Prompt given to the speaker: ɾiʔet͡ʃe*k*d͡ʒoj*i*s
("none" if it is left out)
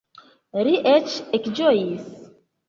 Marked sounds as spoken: k, i

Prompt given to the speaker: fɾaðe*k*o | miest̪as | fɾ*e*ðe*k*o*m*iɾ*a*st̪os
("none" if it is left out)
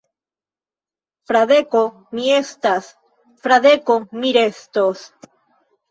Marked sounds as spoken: k, a, k, m, e

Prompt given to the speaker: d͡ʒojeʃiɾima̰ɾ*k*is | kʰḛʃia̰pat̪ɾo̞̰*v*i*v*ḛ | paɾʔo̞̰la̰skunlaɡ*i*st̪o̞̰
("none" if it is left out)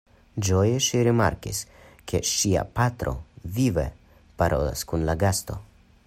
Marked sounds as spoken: k, v, v, a

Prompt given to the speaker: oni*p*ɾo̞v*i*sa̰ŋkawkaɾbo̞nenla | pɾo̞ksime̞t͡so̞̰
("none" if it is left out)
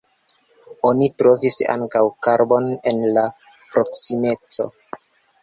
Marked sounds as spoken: t, i

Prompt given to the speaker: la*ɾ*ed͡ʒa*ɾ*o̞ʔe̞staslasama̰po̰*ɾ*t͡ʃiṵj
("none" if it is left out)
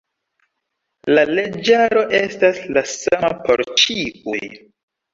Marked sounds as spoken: l, ɾ, ɾ

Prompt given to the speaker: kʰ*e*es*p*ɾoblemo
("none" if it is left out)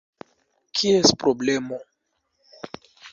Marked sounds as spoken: i, p

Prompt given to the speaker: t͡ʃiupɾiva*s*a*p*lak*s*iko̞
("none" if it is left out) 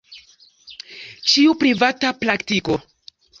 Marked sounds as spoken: t, p, t

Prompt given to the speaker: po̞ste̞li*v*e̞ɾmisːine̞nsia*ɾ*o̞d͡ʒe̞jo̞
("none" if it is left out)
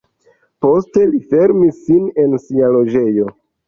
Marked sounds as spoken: f, l

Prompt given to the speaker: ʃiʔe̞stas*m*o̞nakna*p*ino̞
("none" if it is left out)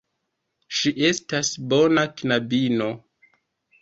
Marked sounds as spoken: b, b

